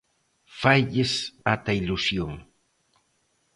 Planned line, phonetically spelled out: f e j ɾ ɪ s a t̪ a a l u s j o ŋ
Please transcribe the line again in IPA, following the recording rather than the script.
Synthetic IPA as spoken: f a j ʎ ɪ s a t̪ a i l u s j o ŋ